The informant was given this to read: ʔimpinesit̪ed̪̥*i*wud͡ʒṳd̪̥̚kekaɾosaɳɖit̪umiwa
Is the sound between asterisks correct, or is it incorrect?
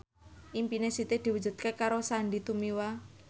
correct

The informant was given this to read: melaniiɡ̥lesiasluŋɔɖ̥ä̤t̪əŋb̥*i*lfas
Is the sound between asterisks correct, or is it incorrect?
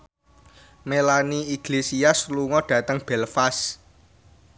incorrect: ɛ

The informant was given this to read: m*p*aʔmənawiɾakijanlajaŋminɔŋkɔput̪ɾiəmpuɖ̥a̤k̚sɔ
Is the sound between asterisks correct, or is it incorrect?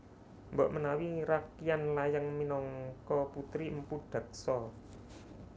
incorrect: b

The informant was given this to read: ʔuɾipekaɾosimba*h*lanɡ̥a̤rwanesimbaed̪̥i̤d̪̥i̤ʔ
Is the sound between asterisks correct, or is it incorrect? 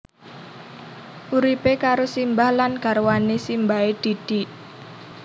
correct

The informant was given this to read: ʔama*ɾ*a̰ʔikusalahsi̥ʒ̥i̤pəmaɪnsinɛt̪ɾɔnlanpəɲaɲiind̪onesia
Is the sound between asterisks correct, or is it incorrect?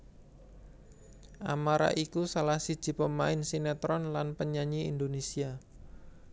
correct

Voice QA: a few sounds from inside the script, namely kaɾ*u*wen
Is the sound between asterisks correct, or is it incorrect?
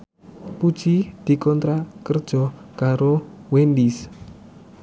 incorrect: o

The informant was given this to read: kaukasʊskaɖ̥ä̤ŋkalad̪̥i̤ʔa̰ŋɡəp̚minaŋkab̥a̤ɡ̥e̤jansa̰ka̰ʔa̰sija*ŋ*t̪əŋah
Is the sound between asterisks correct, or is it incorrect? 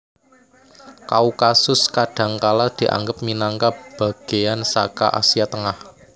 incorrect: none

